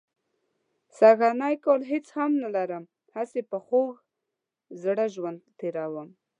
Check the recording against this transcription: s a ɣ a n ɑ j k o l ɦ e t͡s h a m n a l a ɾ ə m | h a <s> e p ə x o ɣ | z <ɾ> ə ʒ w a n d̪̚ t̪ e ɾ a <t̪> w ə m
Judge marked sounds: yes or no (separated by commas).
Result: yes, no, no